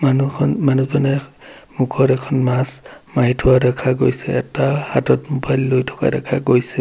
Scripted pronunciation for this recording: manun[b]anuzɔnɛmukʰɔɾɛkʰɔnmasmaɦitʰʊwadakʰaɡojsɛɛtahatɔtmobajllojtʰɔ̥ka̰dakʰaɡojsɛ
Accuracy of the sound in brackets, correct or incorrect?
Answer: incorrect